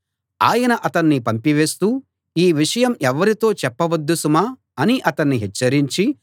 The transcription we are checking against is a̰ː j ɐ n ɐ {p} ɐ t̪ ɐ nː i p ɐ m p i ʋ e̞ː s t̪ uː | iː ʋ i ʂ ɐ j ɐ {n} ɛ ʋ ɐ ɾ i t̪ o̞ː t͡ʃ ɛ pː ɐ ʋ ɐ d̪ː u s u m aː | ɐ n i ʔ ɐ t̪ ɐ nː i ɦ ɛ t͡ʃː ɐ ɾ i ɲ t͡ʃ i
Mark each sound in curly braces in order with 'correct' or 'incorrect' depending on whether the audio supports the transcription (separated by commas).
incorrect, incorrect